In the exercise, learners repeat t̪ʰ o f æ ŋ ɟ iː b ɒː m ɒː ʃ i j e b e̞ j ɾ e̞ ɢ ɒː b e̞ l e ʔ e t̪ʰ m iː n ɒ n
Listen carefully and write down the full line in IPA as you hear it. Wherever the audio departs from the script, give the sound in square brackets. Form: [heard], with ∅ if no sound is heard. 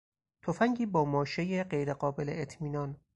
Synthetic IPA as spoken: t̪ʰ o f æ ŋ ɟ iː b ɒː m ɒː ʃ [e] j e [ɢ] e̞ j ɾ e̞ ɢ ɒː b e̞ l e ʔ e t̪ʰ m iː n ɒ n